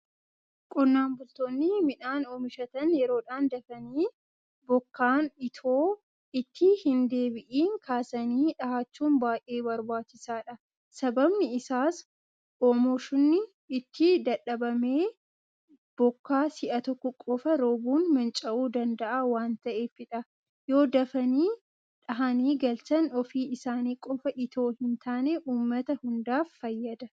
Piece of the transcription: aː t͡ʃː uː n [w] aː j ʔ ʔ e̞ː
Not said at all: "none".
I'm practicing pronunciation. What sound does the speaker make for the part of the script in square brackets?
b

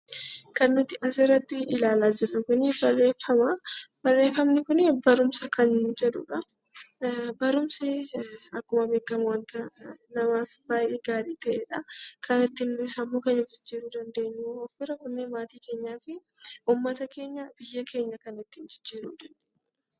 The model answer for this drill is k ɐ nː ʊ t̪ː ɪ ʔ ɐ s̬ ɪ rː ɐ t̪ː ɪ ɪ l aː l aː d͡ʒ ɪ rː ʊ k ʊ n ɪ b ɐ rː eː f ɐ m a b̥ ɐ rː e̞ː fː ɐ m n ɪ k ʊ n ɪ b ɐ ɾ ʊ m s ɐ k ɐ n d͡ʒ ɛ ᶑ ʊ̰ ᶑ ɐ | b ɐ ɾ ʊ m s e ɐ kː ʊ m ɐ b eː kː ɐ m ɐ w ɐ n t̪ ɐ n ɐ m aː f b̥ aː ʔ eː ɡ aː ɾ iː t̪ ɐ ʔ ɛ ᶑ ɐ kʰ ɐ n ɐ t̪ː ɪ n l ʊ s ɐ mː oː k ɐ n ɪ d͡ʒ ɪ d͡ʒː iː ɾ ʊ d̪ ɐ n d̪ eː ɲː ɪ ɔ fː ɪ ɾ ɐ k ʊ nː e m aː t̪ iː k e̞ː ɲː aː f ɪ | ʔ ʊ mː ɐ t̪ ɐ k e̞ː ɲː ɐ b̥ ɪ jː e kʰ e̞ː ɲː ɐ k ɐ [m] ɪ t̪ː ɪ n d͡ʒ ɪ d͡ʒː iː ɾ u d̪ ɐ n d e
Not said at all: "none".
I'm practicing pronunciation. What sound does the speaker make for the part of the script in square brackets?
n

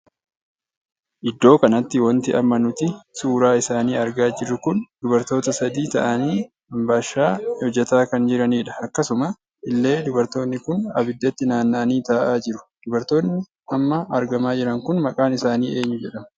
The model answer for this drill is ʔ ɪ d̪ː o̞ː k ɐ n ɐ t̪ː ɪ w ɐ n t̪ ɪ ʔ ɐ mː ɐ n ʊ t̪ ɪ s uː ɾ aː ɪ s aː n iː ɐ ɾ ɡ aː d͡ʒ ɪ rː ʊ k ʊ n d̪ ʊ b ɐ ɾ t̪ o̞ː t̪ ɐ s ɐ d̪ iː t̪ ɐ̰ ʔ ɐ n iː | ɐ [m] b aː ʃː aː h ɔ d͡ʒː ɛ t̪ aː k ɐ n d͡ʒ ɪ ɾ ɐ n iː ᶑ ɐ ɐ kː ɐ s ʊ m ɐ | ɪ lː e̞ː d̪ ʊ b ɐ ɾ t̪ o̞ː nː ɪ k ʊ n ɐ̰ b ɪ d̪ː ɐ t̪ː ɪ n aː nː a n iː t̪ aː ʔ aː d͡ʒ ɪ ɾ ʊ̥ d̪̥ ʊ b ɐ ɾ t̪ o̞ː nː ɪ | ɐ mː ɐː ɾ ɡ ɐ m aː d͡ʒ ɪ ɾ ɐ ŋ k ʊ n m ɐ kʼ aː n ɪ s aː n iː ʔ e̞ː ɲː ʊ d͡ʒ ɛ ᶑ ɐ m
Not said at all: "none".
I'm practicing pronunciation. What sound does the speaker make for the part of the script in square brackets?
m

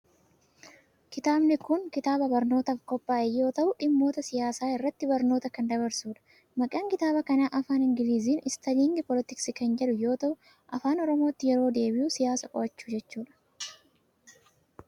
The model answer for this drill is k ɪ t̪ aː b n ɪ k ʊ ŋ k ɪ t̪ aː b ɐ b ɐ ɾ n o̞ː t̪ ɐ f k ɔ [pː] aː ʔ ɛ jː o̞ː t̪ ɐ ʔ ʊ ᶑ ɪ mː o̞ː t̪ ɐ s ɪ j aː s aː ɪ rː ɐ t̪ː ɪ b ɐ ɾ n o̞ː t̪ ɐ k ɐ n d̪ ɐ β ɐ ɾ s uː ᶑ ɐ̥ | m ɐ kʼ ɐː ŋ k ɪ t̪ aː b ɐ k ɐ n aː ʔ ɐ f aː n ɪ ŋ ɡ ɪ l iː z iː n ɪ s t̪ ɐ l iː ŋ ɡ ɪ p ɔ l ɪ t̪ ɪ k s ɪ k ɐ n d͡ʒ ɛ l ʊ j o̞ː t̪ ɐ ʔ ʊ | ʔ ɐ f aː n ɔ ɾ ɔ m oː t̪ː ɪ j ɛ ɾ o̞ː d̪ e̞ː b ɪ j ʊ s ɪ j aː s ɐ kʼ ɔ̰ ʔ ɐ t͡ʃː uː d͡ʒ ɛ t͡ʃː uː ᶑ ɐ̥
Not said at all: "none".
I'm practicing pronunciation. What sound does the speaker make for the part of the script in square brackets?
pː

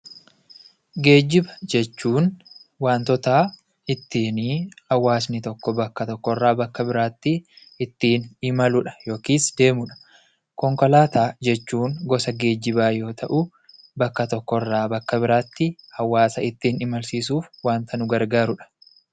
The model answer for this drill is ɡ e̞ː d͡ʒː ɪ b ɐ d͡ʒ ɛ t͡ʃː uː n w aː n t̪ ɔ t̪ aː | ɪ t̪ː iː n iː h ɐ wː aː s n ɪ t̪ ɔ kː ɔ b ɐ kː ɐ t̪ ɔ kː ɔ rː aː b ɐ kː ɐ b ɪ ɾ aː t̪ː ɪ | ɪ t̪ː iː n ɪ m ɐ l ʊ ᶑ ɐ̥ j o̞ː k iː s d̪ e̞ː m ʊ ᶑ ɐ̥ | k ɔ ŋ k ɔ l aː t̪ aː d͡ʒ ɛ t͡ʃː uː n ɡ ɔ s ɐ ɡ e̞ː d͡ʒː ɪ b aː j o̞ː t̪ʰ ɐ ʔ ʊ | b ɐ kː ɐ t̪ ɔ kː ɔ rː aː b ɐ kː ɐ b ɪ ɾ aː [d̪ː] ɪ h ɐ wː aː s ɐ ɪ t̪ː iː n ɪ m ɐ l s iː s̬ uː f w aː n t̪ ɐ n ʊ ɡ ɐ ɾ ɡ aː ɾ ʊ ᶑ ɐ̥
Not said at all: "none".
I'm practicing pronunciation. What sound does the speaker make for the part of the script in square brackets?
t̪ː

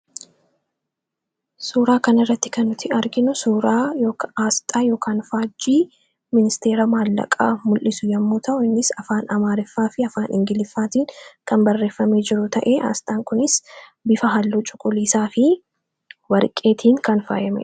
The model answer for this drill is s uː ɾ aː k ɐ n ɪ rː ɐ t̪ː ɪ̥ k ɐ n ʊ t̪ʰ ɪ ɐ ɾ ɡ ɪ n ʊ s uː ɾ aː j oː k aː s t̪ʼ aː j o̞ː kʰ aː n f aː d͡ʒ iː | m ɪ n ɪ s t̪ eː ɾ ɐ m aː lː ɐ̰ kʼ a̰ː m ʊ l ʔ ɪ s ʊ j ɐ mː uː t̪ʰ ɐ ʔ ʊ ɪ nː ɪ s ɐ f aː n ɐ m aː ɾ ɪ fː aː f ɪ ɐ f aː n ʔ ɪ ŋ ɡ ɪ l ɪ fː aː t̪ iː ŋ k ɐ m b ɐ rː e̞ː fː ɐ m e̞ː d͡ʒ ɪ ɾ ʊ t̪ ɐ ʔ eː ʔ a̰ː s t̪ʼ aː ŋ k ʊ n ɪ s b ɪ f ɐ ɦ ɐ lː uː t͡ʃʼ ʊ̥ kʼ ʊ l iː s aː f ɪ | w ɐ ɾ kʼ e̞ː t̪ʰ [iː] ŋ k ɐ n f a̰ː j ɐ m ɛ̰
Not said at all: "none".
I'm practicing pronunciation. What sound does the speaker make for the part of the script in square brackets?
iː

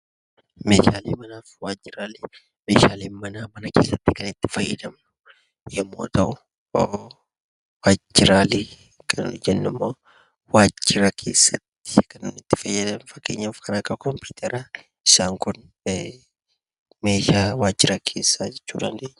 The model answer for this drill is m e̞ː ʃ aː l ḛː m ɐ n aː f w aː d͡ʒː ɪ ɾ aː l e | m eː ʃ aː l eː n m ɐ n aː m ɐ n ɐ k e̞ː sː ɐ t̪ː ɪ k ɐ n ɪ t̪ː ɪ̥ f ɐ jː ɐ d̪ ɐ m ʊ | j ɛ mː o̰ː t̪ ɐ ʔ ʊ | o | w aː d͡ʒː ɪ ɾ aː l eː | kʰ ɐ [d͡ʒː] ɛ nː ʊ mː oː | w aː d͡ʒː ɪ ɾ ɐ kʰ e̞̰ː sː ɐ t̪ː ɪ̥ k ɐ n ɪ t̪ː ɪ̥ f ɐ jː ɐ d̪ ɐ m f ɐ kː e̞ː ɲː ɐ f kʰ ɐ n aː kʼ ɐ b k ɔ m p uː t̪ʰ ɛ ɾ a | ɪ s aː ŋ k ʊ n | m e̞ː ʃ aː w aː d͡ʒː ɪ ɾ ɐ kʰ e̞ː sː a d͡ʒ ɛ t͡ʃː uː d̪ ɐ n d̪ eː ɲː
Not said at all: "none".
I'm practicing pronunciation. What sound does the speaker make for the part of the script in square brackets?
d͡ʒ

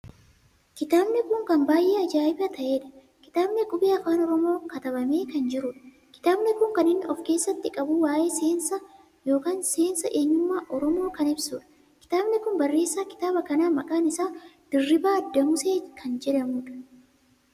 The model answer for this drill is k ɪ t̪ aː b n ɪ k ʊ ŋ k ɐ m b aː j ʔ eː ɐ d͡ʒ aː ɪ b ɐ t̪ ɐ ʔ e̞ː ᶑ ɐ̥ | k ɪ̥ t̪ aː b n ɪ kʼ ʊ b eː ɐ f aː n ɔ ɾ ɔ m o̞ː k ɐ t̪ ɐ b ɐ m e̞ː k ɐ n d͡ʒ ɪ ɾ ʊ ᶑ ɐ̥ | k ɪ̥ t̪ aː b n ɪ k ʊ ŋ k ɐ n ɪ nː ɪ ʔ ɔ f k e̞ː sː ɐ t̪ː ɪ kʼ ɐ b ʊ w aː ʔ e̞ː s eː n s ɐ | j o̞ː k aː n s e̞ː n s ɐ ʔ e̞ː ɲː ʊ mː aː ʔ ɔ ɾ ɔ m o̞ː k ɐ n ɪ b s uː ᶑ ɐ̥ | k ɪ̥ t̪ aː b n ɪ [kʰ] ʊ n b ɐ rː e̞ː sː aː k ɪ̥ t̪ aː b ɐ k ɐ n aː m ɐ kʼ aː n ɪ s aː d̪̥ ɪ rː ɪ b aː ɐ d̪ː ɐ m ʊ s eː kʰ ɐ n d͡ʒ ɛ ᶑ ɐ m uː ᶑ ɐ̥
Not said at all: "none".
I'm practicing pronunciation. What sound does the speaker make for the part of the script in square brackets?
k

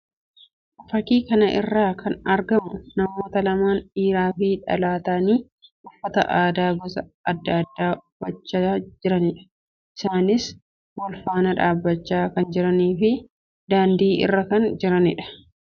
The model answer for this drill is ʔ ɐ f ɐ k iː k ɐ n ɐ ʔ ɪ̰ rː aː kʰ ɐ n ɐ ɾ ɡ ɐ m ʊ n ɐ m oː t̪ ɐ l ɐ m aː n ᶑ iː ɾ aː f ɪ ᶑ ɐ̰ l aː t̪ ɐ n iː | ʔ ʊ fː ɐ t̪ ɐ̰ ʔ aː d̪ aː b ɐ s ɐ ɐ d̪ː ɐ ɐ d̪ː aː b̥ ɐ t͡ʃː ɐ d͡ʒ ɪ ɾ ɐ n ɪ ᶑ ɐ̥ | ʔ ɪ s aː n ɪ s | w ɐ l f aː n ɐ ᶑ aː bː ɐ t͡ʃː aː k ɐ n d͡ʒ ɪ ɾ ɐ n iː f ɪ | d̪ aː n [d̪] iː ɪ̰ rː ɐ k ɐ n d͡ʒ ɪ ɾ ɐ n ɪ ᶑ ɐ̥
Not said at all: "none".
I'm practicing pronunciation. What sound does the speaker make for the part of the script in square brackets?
d̪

